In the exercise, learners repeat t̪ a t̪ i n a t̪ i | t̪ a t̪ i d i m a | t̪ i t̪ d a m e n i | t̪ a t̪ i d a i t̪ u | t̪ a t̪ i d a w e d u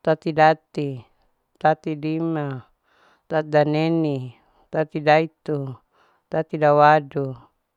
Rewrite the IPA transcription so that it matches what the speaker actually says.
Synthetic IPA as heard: t̪ a t̪ i d a t̪ i | t̪ a t̪ i d i m a | t̪ a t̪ d a n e n i | t̪ a t̪ i d a i t̪ u | t̪ a t̪ i d a w a d u